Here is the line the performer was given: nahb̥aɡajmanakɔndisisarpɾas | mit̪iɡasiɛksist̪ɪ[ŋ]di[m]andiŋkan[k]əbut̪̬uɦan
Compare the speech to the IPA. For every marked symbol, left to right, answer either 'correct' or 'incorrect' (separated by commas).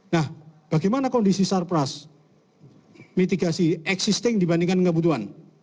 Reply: correct, incorrect, correct